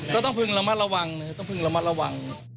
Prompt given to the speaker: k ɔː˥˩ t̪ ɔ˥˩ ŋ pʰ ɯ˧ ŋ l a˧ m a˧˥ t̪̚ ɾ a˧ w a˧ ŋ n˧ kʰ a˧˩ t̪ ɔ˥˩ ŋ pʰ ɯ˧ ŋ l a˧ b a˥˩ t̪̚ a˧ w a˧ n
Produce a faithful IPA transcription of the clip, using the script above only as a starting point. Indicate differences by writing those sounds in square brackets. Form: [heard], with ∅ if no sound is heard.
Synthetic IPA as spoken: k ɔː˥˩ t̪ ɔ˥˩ ŋ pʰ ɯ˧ ŋ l a˧ m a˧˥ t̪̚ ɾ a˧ w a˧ ŋ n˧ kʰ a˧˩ t̪ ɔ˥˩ ŋ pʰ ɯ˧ ŋ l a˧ [m] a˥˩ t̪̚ a˧ w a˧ [ŋ]

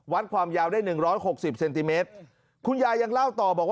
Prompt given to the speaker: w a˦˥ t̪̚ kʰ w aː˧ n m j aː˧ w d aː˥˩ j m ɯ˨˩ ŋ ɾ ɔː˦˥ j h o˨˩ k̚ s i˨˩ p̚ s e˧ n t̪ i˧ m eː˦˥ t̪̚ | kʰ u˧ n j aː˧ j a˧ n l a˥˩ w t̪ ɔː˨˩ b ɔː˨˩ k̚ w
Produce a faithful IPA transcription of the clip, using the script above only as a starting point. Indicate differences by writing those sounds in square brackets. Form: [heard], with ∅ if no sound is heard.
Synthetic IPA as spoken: w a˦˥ t̪̚ kʰ w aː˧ [∅] m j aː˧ w d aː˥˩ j [n] ɯ˨˩ ŋ ɾ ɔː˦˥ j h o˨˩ k̚ s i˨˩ p̚ s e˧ n t̪ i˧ m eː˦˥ t̪̚ | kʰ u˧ n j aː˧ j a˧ [ŋ] l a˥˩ w t̪ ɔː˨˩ b ɔː˨˩ k̚ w

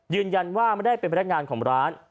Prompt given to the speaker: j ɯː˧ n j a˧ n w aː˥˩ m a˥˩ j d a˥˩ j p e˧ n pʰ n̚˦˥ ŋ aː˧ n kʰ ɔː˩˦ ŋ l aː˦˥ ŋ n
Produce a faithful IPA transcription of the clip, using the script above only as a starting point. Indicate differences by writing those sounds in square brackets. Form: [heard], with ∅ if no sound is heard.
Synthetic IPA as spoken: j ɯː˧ n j a˧ n w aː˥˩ m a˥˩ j d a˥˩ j p e˧ n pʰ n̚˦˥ ŋ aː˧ n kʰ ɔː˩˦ ŋ [ɾ] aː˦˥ [∅] n

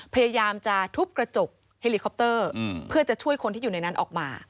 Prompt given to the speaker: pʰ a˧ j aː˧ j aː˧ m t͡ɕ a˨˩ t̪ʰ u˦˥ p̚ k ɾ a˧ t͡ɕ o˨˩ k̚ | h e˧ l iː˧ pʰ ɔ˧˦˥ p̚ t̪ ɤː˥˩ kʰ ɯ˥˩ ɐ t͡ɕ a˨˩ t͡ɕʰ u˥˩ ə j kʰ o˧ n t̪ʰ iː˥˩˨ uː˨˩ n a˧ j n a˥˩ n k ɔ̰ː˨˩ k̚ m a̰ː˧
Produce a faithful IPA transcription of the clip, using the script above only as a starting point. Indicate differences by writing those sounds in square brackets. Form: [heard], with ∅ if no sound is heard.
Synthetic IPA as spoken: pʰ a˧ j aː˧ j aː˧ m t͡ɕ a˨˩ t̪ʰ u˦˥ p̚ k ɾ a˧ t͡ɕ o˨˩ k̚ | h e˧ l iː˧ [kʰ] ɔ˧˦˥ p̚ t̪ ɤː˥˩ [pʰ] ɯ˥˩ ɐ t͡ɕ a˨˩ t͡ɕʰ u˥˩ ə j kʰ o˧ n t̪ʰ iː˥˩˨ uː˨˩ n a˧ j n [a˦˥] n [ʔ] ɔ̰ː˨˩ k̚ m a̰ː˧

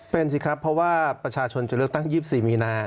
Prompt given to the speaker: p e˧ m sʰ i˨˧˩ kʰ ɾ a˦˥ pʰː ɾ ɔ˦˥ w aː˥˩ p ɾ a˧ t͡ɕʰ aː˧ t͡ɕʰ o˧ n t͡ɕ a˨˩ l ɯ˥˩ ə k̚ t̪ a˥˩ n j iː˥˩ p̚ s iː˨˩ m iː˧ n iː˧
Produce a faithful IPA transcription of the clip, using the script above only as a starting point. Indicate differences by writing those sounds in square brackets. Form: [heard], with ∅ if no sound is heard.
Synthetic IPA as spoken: p e˧ [n] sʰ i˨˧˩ kʰ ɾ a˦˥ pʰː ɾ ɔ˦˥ w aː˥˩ p ɾ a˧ t͡ɕʰ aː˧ t͡ɕʰ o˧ n t͡ɕ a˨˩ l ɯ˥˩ ə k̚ t̪ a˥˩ [ŋ] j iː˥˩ p̚ s iː˨˩ m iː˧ n [aː˧]

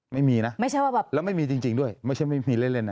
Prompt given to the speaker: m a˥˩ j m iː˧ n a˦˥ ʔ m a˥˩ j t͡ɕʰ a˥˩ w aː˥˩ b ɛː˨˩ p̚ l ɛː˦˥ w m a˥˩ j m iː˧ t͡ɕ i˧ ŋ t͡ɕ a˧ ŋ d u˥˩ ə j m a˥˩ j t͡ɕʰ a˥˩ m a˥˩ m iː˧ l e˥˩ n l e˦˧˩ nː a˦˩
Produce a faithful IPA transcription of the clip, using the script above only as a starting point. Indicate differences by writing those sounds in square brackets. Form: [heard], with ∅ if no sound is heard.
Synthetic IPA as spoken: m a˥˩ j m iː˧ n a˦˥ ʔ m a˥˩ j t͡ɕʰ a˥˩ w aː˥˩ b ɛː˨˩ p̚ l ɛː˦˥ w m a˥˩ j m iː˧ t͡ɕ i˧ ŋ t͡ɕ [i˧] ŋ d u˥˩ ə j m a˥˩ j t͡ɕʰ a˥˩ m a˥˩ m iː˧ l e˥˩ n l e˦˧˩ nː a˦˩

